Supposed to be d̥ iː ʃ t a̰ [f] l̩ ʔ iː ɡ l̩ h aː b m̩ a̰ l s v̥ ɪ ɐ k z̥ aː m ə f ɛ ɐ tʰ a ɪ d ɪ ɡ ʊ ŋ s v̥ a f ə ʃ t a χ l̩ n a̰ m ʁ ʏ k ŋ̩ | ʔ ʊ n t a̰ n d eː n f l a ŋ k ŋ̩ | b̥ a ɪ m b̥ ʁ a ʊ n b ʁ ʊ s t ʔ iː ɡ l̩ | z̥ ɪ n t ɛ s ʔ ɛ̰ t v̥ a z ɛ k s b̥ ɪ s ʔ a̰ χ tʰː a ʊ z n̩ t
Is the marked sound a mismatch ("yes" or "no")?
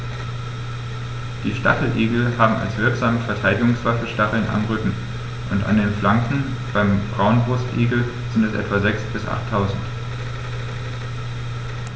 yes